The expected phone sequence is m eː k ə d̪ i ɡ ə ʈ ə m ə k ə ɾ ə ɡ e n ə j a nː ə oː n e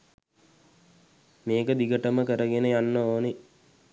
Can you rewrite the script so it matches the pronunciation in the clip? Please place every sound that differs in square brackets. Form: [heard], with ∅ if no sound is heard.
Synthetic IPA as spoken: m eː k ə d̪ i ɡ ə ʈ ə m ə k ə ɾ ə ɡ e n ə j a nː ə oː n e